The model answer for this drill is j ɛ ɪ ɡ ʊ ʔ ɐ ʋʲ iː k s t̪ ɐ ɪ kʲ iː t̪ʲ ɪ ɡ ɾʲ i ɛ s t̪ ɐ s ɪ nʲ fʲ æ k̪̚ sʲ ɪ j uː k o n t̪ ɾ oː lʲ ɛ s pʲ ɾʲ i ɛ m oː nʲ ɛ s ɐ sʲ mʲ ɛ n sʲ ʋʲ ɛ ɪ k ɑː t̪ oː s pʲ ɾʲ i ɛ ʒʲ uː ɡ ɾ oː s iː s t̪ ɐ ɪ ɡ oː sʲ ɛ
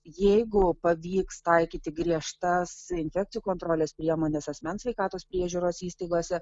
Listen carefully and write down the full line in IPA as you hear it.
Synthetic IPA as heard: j ɛ ɪ ɡ ʊ p ɐ ʋʲ iː k s t̪ ɐ ɪ kʲ iː t̪ʲ ɪ ɡ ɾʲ i ɛ ʃ t̪ ɐ s ɪ nʲ fʲ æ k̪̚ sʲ ɪ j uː k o n t̪ ɾ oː lʲ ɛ s pʲ ɾʲ i ɛ m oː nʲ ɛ s ɐ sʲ mʲ ɛ n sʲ ʋʲ ɛ ɪ k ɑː t̪ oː s pʲ ɾʲ i ɛ ʒʲ uː ɾ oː s iː s t̪ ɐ ɪ ɡ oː sʲ ɛ

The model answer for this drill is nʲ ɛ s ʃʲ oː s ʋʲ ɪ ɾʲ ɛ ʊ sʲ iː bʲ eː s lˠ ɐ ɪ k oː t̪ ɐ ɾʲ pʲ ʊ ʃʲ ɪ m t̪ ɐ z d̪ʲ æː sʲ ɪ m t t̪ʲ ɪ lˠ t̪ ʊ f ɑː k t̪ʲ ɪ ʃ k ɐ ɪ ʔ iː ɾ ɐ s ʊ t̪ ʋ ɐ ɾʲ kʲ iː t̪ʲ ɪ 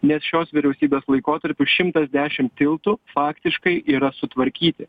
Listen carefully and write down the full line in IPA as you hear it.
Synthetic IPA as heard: nʲ ɛ s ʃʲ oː s ʋʲ ɪ ɾʲ ɛ ʊ sʲ iː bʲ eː s lˠ ɐ ɪ k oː t̪ ɐ ɾʲ pʲ ʊ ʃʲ ɪ m t̪ ɐ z d̪ʲ æː ʃʲ ɪ m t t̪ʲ ɪ lˠ t̪ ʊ f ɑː k t̪ʲ ɪ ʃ k ɐ ɪ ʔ iː ɾ ɐ s ʊ t̪ ʋ ɐ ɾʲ kʲ iː t̪ʲ ɪ

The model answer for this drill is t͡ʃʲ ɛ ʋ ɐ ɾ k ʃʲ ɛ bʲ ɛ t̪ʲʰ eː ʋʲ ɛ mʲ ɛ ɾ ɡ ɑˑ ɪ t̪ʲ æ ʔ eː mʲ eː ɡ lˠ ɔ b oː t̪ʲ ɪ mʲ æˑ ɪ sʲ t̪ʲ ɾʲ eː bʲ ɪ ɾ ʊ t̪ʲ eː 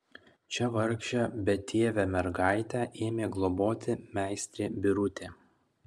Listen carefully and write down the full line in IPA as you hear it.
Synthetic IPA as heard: t͡ʃʲ ɛ ʋ ɐ ɾ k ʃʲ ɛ bʲ ɛ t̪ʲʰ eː ʋʲ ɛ mʲ ɛ ɾ ɡ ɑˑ ɪ t̪ʲ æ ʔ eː mʲ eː ɡ lˠ ɔ b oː t̪ʲ ɪ mʲ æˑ ɪ sʲ t̪ʲ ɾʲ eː bʲ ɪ ɾ ʊ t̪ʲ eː

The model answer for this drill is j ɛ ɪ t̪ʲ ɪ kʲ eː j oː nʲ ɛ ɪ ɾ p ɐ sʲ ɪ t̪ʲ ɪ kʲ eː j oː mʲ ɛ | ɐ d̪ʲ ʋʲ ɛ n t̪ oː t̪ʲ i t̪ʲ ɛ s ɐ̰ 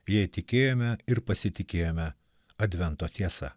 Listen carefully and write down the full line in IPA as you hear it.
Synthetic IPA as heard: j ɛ ɪ t̪ʲ ɪ kʲ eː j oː mʲ ɛ ɪ ɾ p ɐ sʲ ɪ t̪ʲ ɪ kʲ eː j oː mʲ ɛ | ɐ d̪ʲ ʋʲ ɛ n t̪ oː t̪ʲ i ɛ s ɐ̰

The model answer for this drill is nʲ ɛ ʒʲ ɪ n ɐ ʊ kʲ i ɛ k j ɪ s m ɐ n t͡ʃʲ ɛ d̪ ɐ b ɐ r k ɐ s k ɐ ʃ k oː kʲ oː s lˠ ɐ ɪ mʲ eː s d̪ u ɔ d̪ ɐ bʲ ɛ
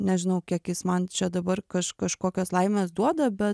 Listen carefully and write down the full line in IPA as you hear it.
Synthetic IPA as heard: nʲ ɛ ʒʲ ɪ n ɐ ʊ kʲ i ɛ k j ɪ s m ɐ n t͡ʃʲ ɛ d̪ ɐ b ɐ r k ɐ ʃ k ɐ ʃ k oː kʲ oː s lˠ ɐ ɪ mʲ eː s d̪ u ɔ d̪ ɐ bʲ ɛ

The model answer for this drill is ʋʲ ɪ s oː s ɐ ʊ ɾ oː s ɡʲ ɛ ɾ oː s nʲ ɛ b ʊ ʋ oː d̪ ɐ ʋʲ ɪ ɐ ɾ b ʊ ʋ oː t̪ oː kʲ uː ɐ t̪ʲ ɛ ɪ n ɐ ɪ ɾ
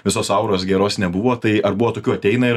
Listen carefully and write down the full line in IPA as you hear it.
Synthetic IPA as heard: ʋʲ ɪ s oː s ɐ ʊ ɾ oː s ɡʲ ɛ ɾ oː s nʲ ɛ b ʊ ʋ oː t̪ ɐ ɪ ɐ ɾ b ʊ ʋ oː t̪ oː kʲ uː ɐ t̪ʲ ɛ ɪ n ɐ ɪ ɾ

